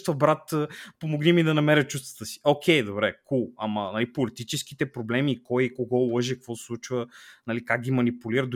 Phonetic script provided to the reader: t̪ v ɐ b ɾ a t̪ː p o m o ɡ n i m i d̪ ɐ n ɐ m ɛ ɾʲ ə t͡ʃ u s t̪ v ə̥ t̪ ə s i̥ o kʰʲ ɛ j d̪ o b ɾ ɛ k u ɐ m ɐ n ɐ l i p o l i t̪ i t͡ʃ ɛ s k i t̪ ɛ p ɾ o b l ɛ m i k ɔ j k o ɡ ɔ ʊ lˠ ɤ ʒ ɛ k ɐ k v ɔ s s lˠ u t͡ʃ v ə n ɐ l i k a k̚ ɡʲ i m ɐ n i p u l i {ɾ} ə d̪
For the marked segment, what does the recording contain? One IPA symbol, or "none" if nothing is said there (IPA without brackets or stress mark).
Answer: ɾ